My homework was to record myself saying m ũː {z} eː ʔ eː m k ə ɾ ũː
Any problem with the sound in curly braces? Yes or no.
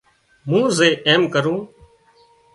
no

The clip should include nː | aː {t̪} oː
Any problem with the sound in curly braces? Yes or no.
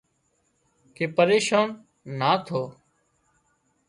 yes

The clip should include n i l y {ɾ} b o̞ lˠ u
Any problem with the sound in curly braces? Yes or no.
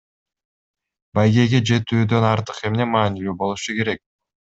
yes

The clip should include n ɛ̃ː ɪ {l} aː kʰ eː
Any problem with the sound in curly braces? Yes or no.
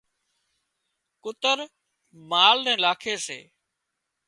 no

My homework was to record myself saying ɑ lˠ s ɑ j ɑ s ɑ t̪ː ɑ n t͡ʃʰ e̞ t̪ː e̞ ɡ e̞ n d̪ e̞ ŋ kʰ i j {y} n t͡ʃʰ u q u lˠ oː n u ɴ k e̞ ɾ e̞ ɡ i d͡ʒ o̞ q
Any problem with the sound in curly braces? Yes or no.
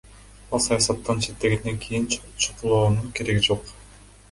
yes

